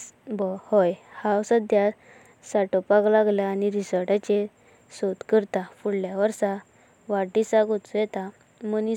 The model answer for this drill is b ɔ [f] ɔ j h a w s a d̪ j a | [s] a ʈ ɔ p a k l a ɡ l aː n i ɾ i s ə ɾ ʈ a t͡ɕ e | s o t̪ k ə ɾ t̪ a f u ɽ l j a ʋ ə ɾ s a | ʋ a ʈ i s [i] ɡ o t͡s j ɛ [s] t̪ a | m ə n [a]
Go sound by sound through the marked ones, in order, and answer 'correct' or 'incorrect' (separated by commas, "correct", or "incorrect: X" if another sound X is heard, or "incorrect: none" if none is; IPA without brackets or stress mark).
incorrect: h, correct, incorrect: a, incorrect: none, incorrect: i